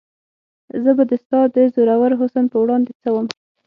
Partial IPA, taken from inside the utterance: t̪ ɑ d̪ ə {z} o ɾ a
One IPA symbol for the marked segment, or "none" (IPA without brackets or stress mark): z